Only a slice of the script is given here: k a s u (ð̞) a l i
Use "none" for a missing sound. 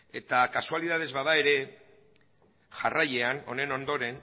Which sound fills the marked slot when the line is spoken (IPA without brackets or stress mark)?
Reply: none